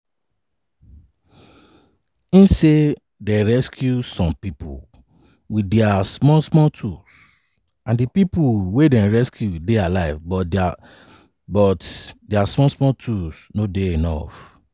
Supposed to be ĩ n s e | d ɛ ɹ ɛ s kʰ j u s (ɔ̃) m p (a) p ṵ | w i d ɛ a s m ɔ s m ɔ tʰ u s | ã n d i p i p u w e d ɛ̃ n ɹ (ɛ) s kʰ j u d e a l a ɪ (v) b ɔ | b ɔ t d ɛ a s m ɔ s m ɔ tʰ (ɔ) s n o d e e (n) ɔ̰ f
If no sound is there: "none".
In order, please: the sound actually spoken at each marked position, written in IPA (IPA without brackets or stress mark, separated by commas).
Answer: ɔ̃, i, ɛ, v, u, n